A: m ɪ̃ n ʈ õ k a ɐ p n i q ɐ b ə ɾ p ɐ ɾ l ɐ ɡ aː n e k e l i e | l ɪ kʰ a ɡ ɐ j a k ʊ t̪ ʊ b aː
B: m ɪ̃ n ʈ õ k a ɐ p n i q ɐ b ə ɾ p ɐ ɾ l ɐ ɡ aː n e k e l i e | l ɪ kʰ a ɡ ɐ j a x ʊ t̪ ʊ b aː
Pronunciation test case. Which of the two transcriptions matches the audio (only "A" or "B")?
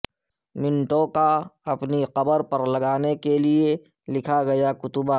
A